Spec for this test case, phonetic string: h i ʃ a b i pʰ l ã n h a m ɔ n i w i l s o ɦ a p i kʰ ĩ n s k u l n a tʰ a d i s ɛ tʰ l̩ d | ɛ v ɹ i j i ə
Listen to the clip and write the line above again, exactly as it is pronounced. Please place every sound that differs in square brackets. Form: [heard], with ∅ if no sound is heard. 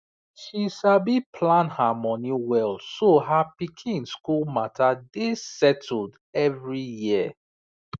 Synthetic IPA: [ʃ] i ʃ a b i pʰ l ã n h a m ɔ n i w [ɛ] l s o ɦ a p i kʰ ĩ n s k u l [m] a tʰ a d [e] s ɛ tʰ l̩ d | ɛ v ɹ i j i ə